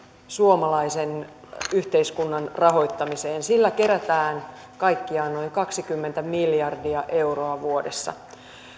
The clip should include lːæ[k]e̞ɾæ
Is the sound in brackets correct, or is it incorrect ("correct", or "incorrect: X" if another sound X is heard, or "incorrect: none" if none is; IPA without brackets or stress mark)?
correct